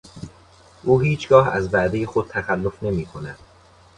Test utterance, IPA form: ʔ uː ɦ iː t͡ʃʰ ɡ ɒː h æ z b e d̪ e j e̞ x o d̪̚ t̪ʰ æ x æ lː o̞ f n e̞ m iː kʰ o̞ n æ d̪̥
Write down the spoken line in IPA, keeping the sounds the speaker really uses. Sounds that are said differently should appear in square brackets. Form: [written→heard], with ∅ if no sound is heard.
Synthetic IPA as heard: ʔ uː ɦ iː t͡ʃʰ ɡ ɒː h æ z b [e→æ] d̪ e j e̞ x o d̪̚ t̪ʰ æ x æ lː o̞ f n e̞ m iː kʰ o̞ n æ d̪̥